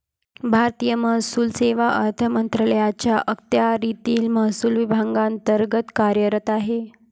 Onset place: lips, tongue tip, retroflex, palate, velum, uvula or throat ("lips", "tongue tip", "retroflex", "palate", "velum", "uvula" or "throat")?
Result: lips